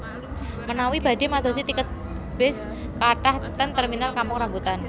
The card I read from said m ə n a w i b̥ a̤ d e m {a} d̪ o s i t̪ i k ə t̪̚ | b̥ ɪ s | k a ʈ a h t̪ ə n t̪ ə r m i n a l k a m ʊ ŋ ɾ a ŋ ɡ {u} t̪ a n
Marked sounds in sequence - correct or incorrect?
correct, correct

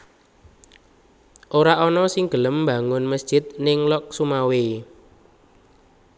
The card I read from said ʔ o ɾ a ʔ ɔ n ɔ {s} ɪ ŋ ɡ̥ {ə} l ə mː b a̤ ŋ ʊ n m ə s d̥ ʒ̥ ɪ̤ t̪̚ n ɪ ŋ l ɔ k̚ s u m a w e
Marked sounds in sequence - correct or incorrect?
correct, correct

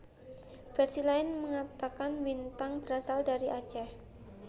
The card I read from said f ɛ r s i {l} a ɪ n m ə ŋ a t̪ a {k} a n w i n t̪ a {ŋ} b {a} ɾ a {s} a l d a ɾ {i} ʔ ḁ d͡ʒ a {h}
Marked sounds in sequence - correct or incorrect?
correct, correct, correct, incorrect, correct, correct, correct

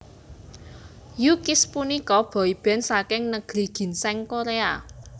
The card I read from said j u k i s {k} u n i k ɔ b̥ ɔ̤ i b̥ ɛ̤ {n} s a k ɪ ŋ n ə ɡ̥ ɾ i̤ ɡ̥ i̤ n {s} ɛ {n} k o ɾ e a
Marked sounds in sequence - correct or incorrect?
incorrect, correct, correct, incorrect

